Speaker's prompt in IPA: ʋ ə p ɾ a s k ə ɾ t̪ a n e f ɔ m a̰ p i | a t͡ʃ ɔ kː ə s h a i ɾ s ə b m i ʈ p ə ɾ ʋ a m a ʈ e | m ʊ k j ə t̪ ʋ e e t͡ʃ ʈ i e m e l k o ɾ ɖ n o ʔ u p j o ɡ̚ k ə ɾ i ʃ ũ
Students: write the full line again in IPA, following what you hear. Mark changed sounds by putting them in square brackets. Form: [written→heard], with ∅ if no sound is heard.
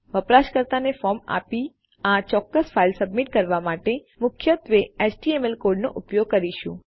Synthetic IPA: ʋ ə p ɾ a [s→ʃ] k ə ɾ t̪ a n e f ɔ m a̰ p i | a t͡ʃ ɔ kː ə s [h→f] a i [ɾ→l] s ə b m i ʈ [p→k] ə ɾ ʋ a m a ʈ e | m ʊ [k→kʰ] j ə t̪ ʋ e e t͡ʃ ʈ i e m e l k o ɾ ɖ n o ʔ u p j o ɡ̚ k ə ɾ i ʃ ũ

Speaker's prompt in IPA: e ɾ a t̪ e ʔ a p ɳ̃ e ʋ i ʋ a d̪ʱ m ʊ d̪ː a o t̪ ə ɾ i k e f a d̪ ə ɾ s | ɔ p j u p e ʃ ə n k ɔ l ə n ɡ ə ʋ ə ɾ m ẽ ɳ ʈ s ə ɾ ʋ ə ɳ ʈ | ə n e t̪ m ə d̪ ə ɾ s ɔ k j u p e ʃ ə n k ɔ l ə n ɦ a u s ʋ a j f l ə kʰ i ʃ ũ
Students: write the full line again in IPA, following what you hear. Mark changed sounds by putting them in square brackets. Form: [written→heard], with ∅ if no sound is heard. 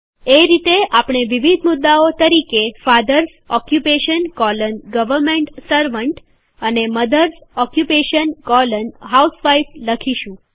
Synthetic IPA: e ɾ [a→i] t̪ e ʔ a p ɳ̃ e ʋ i ʋ [a→i] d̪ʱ m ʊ d̪ː a o t̪ ə ɾ i k e f a d̪ ə ɾ s | ɔ [p→k] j u p e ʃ ə n k ɔ l ə n ɡ ə ʋ ə ɾ m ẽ ɳ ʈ s ə ɾ ʋ ə ɳ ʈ | ə n e [t̪→∅] m ə d̪ ə ɾ s ɔ k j u p e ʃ ə n k ɔ l ə n ɦ a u s ʋ a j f l ə kʰ i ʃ ũ

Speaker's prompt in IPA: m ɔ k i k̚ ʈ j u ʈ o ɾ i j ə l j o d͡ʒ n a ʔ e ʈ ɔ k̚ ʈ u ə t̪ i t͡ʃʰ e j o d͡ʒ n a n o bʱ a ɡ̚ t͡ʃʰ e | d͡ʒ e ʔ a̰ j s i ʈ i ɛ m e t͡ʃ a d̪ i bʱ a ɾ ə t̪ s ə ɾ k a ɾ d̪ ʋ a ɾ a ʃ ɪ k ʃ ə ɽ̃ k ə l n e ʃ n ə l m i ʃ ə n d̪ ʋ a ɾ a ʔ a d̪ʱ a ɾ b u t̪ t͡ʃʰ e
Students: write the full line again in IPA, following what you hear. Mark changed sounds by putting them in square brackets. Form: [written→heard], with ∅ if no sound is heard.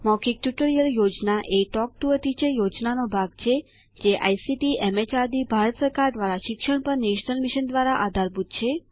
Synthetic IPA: m ɔ k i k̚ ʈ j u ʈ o ɾ i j ə l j o d͡ʒ n a ʔ e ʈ ɔ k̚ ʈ u ə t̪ i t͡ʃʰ e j o d͡ʒ n a n o bʱ a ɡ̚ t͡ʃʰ e | d͡ʒ e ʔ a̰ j s i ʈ i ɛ m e t͡ʃ a d̪ i bʱ a ɾ ə t̪ s ə ɾ k a ɾ d̪ ʋ a ɾ a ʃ ɪ k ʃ ə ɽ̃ [k→p] ə [l→ɾ] n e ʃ n ə l m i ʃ ə n d̪ ʋ a ɾ a ʔ a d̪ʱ a ɾ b u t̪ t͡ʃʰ e

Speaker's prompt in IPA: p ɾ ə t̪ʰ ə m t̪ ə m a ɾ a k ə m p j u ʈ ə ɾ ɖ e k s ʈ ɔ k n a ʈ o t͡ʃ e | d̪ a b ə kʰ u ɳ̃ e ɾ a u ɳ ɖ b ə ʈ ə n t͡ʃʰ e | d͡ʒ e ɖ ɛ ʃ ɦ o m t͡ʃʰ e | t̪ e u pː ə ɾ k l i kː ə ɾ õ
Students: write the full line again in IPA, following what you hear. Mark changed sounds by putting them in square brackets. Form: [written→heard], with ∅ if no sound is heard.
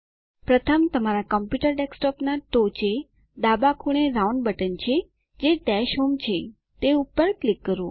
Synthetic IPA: p ɾ ə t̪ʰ ə m t̪ ə m a ɾ a k ə m p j u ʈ ə ɾ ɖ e k s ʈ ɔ [k→p] n a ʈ o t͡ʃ e | d̪ a b [ə→a] kʰ u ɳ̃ e ɾ a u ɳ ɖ b ə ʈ ə n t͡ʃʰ e | d͡ʒ e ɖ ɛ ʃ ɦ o m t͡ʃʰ e | t̪ e u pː ə ɾ k l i kː ə ɾ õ

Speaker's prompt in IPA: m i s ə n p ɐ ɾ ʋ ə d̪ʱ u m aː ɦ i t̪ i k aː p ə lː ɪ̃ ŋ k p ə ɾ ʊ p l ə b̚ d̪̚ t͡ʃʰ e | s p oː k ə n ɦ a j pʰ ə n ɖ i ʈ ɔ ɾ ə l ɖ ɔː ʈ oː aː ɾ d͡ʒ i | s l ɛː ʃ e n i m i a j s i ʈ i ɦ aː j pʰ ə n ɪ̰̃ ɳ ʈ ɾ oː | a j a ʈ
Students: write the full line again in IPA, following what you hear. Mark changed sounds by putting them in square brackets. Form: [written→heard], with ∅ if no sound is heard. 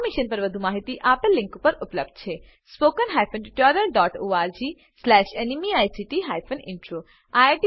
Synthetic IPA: m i [s→ʃ] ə n p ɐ ɾ ʋ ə d̪ʱ u m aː ɦ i t̪ i [k→ʔ] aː p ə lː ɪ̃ ŋ k p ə ɾ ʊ p l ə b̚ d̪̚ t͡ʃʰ e | s p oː k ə n ɦ a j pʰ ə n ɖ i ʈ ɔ ɾ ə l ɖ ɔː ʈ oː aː ɾ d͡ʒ i | s l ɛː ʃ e n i m i a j s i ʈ i ɦ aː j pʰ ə n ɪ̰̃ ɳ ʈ ɾ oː | a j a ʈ

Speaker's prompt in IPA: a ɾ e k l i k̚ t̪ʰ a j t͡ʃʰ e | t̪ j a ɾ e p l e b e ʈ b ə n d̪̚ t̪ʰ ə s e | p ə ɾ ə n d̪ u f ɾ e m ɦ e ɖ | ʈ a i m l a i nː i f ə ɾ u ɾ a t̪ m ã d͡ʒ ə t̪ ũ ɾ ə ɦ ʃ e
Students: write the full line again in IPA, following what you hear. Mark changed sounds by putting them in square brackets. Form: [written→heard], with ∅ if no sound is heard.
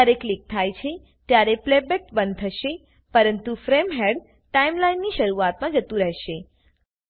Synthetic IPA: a ɾ e k l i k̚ t̪ʰ a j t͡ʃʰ e | t̪ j a ɾ e p l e b e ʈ b ə n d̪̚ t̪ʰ ə [s→ʃ] e | p ə ɾ ə n [d̪→t̪] u f ɾ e m ɦ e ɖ | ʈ a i m l a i nː i [f→ʃ] ə ɾ u [ɾ→∅] a t̪ m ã d͡ʒ ə t̪ ũ ɾ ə ɦ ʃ e

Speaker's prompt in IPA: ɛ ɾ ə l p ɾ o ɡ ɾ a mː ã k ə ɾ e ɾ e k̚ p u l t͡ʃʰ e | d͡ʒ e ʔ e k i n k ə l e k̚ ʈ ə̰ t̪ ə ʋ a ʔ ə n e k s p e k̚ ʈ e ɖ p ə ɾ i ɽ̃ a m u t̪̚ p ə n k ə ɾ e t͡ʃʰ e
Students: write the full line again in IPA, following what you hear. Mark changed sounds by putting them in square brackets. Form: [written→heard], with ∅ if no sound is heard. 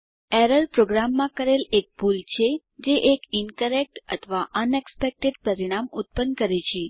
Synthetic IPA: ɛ ɾ ə l p ɾ o ɡ ɾ a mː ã k ə ɾ e [ɾ→l] e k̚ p u l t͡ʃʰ e | d͡ʒ e ʔ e k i n k ə [l→ɾ] e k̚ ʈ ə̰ [t̪→t̪ʰ] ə ʋ a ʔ ə n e k s p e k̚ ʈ e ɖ p ə ɾ i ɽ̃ a m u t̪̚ p ə n k ə ɾ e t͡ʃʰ e

